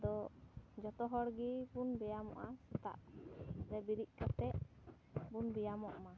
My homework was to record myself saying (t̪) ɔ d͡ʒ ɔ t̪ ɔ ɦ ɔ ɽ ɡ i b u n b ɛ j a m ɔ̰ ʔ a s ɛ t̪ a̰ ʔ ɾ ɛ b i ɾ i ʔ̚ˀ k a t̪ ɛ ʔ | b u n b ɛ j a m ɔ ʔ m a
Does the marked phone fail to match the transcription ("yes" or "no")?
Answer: yes